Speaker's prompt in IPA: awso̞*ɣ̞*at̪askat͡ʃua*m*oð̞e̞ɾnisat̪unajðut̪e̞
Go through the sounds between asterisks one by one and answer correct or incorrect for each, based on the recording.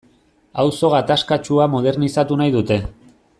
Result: correct, correct

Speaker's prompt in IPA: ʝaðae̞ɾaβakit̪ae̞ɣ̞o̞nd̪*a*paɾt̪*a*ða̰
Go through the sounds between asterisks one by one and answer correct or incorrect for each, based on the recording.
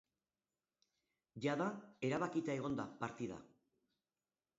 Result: correct, incorrect

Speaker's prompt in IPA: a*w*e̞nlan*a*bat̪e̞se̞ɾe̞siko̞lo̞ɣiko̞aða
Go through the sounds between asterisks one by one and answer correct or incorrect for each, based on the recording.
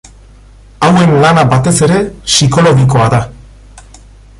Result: correct, correct

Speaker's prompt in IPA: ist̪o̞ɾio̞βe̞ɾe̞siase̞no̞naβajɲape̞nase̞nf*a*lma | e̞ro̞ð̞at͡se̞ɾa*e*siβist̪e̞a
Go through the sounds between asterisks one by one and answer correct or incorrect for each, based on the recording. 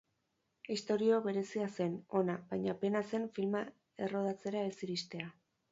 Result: incorrect, correct

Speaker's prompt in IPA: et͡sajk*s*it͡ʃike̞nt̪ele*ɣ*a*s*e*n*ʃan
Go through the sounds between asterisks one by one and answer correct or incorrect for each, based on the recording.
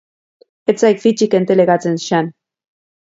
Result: incorrect, correct, incorrect, correct

